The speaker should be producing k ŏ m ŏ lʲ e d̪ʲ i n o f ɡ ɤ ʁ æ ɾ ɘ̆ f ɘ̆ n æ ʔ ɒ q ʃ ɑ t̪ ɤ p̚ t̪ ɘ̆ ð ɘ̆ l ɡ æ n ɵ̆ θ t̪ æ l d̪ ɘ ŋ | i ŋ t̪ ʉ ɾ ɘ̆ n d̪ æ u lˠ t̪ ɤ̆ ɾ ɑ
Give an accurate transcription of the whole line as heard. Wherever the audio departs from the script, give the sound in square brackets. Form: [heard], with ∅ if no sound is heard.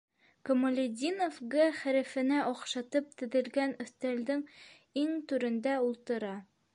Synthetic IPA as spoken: k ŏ m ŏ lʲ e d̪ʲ i n o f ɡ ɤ [χ] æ ɾ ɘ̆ f ɘ̆ n æ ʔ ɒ q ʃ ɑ t̪ ɤ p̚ t̪ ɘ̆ ð ɘ̆ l ɡ æ n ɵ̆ θ t̪ æ l d̪ ɘ ŋ | i ŋ t̪ ʉ ɾ ɘ̆ n d̪ æ u lˠ t̪ ɤ̆ ɾ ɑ